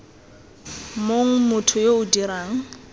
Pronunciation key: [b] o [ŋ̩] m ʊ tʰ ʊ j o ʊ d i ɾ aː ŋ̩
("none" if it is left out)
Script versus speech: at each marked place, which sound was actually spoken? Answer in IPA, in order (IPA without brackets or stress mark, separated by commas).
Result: m, ŋ̩